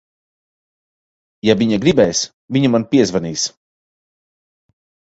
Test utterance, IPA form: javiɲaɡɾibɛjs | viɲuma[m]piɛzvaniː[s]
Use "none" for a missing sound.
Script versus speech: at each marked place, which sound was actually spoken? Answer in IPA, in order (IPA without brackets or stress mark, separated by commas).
n, s